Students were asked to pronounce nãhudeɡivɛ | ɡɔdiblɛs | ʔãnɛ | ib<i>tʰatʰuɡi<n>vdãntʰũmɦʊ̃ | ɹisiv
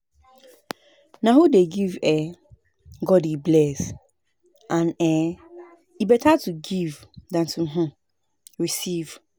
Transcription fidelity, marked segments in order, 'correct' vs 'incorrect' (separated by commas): incorrect, incorrect